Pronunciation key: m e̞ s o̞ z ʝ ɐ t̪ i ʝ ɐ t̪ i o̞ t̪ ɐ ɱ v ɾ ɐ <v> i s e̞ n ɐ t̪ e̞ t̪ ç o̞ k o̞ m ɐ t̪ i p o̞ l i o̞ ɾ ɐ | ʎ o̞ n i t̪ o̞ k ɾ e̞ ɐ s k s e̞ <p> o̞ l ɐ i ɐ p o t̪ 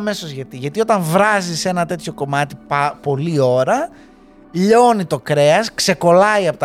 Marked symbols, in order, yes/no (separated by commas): no, no